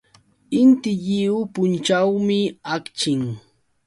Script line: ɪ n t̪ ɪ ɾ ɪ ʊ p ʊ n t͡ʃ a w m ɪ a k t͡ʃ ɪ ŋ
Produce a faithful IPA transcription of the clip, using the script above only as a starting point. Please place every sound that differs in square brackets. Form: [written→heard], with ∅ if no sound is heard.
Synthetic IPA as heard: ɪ n t̪ ɪ [ɾ→ʎ] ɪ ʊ p ʊ n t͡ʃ a w m ɪ a k t͡ʃ ɪ ŋ